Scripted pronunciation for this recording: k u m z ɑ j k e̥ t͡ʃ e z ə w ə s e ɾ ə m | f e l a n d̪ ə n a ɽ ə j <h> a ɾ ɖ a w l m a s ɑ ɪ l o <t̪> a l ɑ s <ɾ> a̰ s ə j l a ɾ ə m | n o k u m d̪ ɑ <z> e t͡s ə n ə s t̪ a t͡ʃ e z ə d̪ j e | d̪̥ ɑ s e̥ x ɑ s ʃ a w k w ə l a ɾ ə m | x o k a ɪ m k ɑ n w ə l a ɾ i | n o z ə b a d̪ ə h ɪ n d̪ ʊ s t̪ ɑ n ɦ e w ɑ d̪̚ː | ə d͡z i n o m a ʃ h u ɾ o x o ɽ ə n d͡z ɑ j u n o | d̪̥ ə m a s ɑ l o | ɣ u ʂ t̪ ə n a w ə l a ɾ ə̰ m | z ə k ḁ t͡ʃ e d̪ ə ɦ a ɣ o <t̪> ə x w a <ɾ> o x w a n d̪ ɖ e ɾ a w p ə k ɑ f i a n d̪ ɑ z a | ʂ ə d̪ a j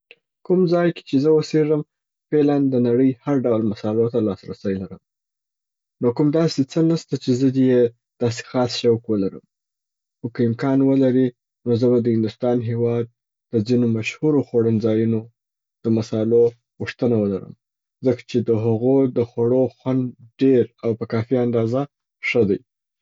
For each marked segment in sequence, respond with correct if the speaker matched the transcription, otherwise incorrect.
correct, correct, correct, incorrect: s, incorrect: d̪, incorrect: ɽ

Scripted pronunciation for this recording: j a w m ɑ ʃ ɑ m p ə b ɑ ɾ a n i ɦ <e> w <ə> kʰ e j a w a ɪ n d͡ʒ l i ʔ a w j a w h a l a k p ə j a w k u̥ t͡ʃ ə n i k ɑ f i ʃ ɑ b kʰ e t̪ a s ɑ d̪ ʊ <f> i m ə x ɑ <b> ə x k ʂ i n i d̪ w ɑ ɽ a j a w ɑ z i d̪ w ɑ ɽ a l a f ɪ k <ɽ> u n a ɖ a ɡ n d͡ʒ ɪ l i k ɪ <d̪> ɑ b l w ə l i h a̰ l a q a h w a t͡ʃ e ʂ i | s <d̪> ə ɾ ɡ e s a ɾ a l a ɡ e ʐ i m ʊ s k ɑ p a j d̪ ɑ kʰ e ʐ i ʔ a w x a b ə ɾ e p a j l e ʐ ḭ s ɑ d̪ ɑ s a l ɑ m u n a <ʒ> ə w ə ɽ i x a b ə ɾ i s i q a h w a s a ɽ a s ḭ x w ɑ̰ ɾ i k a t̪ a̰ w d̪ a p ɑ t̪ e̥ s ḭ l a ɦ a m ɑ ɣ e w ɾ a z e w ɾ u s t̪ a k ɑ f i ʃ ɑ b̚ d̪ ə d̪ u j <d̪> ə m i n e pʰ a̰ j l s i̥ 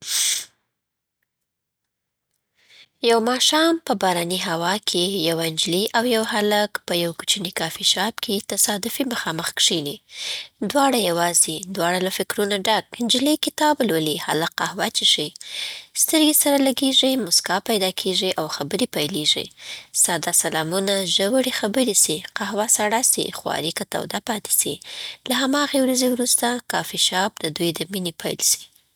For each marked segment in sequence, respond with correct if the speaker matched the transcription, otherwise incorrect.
incorrect: a, incorrect: ɑ, correct, incorrect: m, incorrect: ɾ, incorrect: t̪, incorrect: t̪, correct, correct

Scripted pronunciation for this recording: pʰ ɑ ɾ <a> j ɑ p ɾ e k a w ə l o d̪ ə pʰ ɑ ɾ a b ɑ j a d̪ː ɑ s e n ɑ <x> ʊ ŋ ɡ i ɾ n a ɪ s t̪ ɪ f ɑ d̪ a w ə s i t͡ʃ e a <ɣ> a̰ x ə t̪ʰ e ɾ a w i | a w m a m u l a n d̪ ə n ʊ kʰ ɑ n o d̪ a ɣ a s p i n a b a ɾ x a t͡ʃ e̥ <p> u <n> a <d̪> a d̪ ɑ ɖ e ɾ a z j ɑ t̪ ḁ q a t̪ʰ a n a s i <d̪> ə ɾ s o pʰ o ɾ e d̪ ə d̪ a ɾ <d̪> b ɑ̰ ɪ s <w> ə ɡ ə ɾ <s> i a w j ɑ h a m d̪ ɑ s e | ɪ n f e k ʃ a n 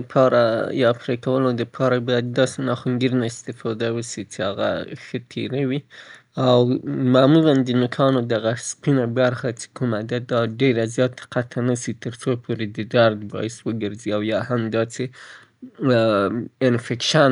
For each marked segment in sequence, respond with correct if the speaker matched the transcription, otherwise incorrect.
correct, correct, correct, incorrect: k, incorrect: m, correct, incorrect: t̪, correct, correct, incorrect: z

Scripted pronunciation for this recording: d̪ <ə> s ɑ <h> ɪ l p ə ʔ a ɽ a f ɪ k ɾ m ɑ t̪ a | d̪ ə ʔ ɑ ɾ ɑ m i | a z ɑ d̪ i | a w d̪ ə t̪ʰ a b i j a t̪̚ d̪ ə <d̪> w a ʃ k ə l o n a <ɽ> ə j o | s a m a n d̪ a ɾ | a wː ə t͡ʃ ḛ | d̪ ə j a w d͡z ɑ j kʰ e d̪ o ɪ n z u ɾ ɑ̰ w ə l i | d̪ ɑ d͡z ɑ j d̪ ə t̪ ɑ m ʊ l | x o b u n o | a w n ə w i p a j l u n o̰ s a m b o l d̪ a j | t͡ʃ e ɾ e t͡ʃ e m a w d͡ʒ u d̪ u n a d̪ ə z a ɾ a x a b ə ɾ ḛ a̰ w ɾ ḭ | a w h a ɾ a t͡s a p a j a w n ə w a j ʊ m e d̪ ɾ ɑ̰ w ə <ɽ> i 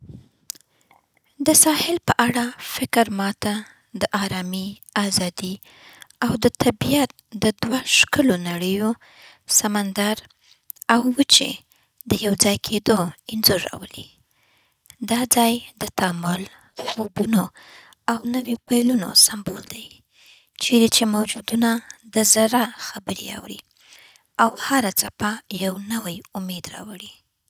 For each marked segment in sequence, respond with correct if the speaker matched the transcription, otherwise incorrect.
correct, correct, correct, correct, correct

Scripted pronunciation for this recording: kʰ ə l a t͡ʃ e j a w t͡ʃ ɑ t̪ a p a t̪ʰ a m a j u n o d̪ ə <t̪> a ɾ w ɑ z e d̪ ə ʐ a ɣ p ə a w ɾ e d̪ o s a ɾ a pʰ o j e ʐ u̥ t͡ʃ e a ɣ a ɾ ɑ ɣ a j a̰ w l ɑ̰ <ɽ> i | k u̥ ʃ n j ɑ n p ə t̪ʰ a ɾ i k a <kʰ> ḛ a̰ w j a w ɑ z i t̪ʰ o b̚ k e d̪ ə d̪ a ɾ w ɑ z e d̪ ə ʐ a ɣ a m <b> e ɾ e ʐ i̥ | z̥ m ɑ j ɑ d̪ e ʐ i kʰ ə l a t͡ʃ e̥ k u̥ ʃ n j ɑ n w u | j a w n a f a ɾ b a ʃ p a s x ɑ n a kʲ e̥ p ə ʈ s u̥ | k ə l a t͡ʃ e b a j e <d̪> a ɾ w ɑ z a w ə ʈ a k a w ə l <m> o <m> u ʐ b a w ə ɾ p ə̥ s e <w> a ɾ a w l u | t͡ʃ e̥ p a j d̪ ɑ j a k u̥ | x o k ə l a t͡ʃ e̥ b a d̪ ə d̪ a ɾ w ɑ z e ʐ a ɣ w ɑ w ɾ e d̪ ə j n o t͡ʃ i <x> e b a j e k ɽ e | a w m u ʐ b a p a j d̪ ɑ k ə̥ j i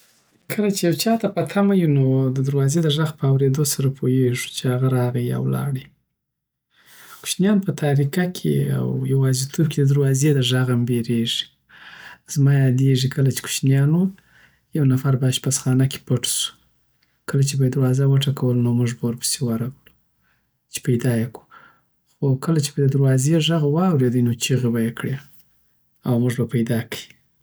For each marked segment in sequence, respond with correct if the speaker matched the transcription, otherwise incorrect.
incorrect: d̪, correct, correct, correct, correct, incorrect: n, correct, correct, incorrect: ɣ

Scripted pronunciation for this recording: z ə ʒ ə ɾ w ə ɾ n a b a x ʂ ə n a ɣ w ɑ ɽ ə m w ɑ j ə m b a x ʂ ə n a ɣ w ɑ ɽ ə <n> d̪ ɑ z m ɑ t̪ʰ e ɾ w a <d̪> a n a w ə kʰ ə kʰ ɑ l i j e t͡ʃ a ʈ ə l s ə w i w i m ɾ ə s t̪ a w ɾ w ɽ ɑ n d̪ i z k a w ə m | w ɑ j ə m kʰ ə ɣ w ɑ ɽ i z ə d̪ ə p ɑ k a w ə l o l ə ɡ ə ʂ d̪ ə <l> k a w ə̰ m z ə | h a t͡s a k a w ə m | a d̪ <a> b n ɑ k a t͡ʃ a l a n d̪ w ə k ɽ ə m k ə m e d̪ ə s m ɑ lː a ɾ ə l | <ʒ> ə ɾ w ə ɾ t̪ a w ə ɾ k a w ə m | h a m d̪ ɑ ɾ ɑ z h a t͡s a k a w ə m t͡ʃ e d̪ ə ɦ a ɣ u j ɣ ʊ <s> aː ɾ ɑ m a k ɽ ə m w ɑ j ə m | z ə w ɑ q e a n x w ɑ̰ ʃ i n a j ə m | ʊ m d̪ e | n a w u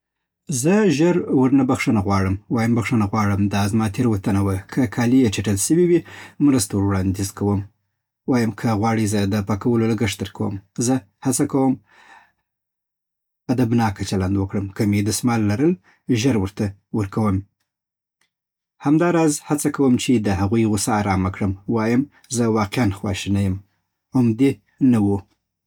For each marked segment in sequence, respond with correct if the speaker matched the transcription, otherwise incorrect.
incorrect: m, incorrect: t̪, incorrect: ɾ, correct, correct, correct

